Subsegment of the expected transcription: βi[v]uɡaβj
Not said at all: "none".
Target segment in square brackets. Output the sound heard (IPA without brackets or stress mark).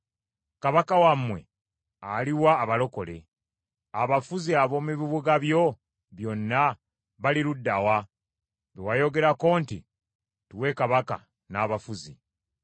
β